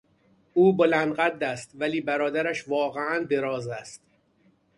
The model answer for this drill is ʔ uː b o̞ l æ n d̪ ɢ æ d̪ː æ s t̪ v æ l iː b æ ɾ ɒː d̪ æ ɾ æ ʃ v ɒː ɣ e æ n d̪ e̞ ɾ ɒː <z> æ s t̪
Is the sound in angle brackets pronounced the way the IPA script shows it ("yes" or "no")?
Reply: yes